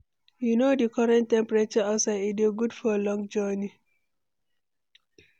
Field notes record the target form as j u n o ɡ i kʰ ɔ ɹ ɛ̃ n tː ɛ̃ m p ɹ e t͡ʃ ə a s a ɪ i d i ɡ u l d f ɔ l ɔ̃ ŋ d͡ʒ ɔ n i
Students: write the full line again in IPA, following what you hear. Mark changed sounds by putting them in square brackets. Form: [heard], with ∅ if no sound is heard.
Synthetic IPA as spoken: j u n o [d] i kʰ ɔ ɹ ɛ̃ n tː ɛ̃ m p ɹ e t͡ʃ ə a s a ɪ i d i ɡ u [∅] d f ɔ l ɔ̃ ŋ d͡ʒ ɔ n i